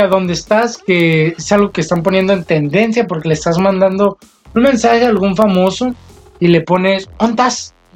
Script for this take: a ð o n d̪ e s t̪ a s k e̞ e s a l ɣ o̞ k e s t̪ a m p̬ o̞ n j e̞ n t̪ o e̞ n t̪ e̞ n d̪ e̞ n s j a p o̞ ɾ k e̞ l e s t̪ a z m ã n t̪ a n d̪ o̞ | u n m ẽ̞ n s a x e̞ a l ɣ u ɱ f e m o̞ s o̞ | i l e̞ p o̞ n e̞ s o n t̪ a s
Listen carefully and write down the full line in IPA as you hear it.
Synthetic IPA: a ð o n d̪ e s t̪ a s k e̞ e s a l ɣ o̞ k e s t̪ a m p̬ o̞ n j e̞ n d̪ o e̞ n t̪ e̞ n d̪ e̞ n s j a p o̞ ɾ k e̞ l e s t̪ a z m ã n d̪ a n d̪ o̞ | u n m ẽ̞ n s a x e̞ a l ɣ u ɱ f a m o̞ s o̞ | i l e̞ p o̞ n e̞ s o n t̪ a s